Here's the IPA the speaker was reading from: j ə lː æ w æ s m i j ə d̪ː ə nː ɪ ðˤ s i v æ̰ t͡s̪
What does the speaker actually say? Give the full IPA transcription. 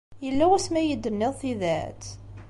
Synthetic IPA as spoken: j ə lː æ w æ s m æ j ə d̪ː ə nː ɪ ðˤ θ i ð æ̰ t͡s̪